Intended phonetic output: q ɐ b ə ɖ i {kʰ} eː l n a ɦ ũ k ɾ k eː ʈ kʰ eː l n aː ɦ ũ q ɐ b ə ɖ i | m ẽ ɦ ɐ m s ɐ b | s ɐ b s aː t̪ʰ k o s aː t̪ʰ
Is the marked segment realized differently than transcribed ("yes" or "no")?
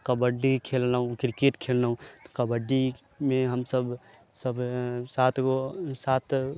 no